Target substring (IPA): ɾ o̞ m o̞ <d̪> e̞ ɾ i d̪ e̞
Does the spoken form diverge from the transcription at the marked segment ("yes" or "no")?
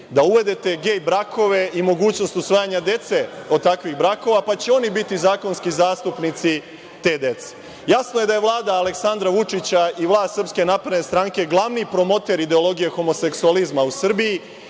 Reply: yes